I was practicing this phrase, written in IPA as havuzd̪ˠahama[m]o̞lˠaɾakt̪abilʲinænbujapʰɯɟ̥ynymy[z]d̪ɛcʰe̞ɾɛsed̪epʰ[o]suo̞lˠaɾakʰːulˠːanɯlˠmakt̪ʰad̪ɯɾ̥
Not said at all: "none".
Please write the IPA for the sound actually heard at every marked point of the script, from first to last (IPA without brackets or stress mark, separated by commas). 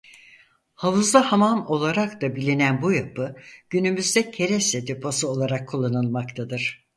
m, z, o